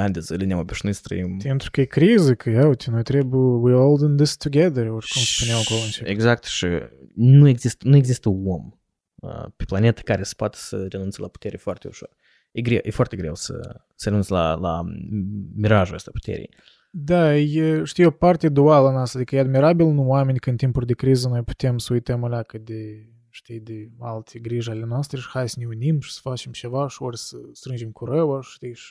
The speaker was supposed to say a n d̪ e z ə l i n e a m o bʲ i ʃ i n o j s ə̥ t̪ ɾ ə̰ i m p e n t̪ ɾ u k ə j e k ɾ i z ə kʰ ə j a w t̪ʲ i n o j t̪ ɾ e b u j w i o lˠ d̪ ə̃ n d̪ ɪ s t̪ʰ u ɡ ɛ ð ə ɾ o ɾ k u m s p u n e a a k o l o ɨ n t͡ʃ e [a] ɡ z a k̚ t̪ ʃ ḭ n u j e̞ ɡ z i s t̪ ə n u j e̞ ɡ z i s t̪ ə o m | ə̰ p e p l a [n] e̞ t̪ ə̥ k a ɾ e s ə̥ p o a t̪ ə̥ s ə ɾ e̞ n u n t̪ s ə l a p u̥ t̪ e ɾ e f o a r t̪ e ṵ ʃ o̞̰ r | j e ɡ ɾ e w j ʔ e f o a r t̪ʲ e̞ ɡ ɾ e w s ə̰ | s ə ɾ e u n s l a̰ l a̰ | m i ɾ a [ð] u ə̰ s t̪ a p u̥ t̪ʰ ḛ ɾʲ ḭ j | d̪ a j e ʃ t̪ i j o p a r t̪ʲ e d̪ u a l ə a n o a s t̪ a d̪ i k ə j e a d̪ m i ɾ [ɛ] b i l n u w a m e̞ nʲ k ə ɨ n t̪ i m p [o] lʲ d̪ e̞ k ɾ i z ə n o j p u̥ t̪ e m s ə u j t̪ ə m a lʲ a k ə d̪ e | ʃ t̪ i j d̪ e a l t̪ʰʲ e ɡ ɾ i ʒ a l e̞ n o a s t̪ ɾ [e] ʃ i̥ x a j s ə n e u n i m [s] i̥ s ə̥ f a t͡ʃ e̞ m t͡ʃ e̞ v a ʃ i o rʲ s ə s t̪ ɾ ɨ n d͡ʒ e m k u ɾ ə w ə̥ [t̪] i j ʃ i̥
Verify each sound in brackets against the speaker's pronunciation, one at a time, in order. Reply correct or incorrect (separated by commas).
incorrect, correct, incorrect, incorrect, incorrect, correct, incorrect, correct